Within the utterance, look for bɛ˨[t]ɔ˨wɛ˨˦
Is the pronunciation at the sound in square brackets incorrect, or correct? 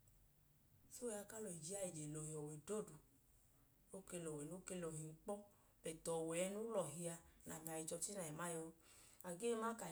correct